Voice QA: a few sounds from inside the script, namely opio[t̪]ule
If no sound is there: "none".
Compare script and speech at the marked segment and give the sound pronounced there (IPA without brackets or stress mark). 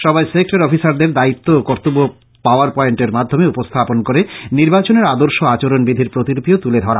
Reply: t̪